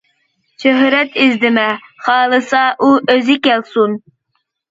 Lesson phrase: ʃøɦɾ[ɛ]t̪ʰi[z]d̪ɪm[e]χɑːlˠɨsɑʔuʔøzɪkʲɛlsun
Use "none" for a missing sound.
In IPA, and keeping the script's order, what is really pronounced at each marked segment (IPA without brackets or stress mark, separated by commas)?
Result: ɛ, z, ɛ